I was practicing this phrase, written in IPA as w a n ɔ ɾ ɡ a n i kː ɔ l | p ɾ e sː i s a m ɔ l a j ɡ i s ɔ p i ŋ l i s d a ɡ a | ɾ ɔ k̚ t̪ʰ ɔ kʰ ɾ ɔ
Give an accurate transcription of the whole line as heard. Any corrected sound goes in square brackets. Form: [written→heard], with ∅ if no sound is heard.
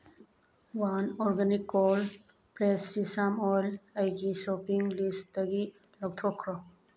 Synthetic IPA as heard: w a n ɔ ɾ ɡ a n i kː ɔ l | p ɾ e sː i s a m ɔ l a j ɡ i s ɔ p i ŋ l i s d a ɡ [a→i] | [ɾ→l] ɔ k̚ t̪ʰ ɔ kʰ ɾ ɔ